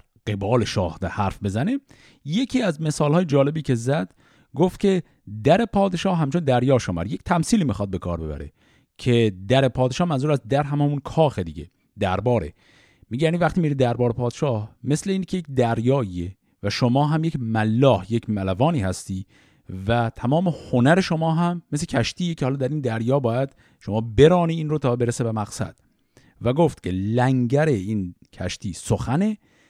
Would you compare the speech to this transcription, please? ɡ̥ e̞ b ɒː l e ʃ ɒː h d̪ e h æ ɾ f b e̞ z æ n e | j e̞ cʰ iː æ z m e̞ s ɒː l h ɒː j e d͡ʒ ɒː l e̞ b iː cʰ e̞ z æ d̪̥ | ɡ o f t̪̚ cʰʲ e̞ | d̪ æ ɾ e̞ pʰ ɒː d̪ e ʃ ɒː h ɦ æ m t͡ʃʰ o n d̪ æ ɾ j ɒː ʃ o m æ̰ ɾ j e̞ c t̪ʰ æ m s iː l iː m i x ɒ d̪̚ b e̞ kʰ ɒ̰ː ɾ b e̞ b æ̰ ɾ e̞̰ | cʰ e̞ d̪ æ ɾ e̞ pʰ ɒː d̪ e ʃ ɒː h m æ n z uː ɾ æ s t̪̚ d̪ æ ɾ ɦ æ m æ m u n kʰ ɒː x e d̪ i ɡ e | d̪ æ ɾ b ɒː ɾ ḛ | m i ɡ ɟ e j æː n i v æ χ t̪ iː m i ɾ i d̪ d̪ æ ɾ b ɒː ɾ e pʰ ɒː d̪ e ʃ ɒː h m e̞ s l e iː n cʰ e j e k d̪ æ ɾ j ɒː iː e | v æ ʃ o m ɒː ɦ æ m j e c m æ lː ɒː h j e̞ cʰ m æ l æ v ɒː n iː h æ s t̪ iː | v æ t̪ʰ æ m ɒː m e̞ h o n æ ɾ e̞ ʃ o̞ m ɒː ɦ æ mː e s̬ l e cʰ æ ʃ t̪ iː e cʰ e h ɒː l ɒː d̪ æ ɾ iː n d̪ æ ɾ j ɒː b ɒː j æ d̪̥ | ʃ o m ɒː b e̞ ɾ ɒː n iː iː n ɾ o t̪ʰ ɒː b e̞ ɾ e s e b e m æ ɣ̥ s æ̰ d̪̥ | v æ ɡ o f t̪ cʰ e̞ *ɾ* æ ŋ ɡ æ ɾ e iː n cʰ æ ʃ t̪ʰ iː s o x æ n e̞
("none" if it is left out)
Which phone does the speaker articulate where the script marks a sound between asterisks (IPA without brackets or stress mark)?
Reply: l